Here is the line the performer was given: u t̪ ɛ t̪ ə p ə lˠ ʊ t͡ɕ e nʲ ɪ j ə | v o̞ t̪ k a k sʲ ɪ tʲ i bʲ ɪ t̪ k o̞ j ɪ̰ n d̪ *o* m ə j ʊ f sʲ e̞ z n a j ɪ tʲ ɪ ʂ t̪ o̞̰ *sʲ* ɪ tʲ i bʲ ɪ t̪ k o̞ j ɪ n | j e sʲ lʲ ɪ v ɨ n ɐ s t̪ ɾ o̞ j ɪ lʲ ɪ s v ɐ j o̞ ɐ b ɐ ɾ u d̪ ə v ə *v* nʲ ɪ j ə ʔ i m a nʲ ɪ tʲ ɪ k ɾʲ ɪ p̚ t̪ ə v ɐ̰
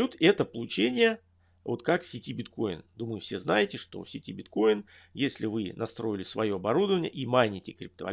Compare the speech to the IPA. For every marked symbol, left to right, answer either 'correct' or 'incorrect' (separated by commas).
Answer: incorrect, correct, incorrect